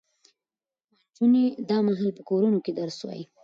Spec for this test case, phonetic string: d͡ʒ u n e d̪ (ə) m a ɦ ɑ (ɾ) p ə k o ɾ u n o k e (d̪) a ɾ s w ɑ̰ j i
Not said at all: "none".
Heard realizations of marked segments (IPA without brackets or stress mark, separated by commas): ɑ, l, d̪